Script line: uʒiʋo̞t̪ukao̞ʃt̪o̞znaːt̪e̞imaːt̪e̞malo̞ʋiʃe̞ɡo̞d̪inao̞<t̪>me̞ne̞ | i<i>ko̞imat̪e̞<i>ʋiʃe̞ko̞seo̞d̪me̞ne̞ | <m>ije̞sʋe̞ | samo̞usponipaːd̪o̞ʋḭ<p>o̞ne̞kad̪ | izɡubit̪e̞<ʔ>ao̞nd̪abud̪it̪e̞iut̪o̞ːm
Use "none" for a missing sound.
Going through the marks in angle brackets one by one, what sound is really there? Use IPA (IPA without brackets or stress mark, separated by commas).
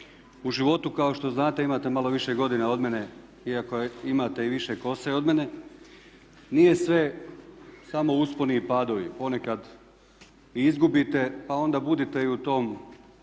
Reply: d̪, a, i, n, p, p